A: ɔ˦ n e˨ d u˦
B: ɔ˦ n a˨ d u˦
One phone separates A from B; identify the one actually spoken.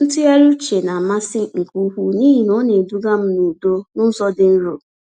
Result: A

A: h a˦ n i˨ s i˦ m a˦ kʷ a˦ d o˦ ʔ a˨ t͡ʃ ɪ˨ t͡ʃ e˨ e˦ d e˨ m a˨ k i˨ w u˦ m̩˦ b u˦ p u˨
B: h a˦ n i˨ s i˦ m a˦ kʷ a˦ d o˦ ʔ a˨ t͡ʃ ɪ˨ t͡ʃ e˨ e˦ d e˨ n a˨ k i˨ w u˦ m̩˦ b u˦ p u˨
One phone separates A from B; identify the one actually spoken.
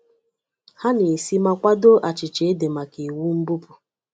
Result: A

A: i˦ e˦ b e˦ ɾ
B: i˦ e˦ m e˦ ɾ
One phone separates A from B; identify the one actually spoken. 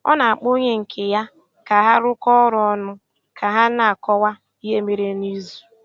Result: B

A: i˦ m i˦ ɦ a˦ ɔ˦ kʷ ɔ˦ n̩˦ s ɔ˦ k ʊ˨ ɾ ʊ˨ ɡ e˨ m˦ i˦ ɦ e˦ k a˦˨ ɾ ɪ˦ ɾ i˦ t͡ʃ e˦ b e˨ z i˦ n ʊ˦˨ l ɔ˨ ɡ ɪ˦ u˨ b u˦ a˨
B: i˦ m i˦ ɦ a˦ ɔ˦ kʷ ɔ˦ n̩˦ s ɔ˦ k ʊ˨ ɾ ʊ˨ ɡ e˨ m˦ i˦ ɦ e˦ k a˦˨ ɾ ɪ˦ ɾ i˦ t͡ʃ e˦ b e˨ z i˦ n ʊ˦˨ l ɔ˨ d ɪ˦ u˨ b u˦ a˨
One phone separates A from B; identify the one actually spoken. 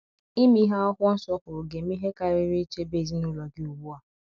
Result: A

